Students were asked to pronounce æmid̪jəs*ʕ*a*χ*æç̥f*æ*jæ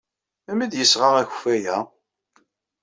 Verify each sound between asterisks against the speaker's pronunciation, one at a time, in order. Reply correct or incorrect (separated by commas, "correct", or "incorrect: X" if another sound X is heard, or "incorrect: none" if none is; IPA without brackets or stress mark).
incorrect: ʁ, incorrect: ʁ, correct